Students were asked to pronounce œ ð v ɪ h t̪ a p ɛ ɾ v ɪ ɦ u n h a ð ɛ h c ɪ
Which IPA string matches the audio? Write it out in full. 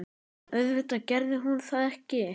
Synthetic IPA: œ ð v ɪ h t̪ a c ɛ ɾ ð ɪ ɦ u n θ a ð ɛ h c ɪ